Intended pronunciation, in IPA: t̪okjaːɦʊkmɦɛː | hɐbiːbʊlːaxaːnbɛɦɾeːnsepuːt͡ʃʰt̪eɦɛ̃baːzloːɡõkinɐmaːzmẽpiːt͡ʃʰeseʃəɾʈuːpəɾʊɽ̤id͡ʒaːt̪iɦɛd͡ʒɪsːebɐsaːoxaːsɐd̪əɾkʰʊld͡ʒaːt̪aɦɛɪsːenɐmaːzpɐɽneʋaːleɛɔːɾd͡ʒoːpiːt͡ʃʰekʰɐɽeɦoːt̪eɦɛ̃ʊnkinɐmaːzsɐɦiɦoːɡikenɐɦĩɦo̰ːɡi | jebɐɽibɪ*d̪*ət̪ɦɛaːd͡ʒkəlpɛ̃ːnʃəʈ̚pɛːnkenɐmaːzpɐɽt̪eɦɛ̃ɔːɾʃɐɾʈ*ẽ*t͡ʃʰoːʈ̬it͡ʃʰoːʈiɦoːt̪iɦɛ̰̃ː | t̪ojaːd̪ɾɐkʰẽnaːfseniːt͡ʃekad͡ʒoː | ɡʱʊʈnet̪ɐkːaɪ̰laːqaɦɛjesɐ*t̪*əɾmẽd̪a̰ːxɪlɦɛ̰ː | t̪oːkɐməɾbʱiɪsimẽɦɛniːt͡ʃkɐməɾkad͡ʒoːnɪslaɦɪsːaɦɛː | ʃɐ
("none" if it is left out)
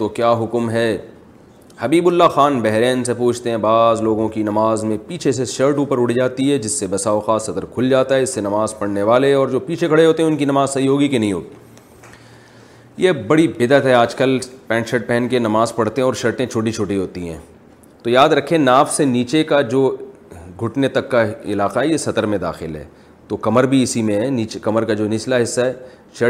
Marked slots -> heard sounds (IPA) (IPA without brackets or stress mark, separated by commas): d̪, ẽ, t̪